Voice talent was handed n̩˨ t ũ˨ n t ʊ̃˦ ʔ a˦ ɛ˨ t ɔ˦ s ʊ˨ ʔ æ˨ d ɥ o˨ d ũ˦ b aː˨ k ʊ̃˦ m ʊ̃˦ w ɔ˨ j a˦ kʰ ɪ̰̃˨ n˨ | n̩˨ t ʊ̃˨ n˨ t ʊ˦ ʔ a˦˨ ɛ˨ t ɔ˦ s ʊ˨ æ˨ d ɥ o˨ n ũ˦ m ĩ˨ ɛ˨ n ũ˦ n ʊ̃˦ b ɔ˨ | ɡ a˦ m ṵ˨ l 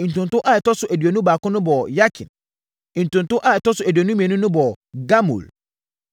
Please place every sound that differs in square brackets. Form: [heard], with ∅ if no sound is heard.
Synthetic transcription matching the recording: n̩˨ t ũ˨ n t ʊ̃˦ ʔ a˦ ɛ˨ t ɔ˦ s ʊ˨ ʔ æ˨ d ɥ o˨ [n] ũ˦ b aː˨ k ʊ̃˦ [n] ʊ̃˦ [b] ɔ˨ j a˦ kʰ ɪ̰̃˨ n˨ | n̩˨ t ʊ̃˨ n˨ t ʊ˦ ʔ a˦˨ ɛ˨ t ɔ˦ s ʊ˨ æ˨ d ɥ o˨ n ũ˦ m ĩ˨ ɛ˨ n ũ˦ n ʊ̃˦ b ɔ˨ | ɡ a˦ m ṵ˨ l